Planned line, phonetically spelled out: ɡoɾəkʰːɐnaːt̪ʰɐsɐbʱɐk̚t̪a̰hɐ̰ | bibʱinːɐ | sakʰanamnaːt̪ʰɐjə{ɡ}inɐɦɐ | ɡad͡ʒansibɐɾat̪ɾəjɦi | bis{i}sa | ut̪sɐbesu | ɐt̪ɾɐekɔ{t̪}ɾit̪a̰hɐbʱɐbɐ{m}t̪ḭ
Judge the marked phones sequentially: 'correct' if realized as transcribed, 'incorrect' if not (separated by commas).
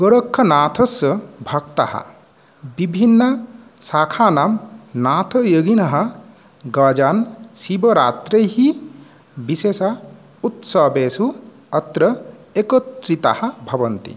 correct, incorrect, correct, incorrect